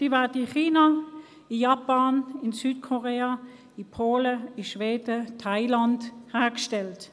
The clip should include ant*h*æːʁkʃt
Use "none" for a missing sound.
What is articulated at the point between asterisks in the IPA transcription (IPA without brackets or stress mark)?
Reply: h